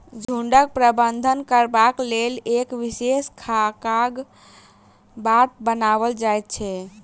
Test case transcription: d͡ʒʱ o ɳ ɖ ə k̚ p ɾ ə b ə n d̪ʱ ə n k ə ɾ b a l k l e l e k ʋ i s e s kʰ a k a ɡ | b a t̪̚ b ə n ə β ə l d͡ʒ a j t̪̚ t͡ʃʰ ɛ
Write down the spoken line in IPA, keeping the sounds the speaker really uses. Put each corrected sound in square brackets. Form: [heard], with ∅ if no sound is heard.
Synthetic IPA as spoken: d͡ʒʱ [u] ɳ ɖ ə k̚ p ɾ ə b ə n d̪ʱ ə n k ə ɾ b a [∅] k l e l e k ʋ i s e s kʰ a k a ɡ | b a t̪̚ b ə n [a] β ə l d͡ʒ a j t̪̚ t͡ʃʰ ɛ